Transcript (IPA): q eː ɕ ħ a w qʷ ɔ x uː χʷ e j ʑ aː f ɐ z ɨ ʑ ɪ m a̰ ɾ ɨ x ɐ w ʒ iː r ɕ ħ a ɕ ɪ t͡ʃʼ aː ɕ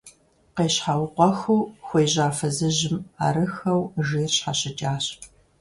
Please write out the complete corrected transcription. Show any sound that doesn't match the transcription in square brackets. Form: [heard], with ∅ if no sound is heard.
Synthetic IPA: q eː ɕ ħ a w qʷ ɔ x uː [xʷ] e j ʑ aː f ɐ z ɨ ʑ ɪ m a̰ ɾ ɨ x ɐ w ʒ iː r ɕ ħ a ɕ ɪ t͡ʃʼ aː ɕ